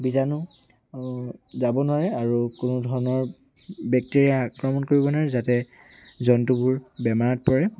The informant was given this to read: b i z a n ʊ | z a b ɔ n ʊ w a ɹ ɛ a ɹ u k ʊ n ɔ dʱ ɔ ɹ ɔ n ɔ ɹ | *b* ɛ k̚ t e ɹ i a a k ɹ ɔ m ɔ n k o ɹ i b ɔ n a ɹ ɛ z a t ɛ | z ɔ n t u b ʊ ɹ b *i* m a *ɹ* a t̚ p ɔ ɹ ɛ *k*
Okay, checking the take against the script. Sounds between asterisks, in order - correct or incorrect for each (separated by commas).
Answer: correct, incorrect, correct, incorrect